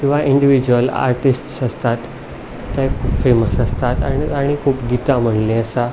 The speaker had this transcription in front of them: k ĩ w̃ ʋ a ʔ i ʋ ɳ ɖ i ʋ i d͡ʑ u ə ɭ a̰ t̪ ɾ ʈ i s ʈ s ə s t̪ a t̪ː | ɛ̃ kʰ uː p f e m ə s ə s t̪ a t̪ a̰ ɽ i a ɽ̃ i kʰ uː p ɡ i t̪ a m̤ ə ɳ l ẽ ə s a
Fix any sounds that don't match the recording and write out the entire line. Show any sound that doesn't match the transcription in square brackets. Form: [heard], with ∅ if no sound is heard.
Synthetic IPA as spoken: k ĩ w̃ ʋ a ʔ i [∅] ɳ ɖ i ʋ i d͡ʑ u ə [l] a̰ [∅] ɾ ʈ i s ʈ s ə s t̪ a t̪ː | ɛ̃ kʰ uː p f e m ə s ə s t̪ a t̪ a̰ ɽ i a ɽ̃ i kʰ uː p ɡ i t̪ a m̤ ə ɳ l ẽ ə s a